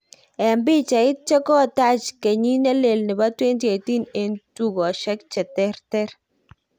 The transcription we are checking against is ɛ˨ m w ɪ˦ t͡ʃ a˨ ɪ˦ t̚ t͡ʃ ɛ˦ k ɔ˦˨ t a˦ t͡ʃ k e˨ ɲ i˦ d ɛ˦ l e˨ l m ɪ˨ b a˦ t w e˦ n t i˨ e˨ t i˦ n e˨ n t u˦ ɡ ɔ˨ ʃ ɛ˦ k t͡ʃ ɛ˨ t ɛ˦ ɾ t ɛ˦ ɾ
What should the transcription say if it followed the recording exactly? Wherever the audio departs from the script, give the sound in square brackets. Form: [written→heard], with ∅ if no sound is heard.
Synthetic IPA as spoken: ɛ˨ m [w→b] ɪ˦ t͡ʃ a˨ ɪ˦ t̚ t͡ʃ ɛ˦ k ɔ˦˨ t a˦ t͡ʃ k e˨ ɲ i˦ [d→n] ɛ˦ l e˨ l [m→n] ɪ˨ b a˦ t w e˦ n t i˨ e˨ t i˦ n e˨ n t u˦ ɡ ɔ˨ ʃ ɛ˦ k t͡ʃ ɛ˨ t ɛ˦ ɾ t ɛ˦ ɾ